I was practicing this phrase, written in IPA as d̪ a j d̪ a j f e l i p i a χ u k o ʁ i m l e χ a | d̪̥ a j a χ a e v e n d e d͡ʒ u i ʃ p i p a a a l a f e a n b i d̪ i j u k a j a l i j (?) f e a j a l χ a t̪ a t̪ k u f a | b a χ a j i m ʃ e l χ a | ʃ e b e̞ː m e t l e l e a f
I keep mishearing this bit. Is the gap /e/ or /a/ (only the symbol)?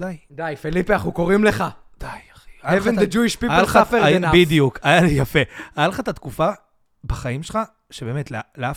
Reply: a